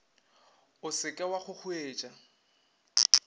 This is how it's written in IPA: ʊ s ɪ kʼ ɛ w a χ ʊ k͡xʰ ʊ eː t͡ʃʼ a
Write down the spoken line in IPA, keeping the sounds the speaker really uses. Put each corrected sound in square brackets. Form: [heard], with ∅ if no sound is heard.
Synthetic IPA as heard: ʊ s ɪ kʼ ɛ w a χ ʊ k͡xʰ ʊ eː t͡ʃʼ a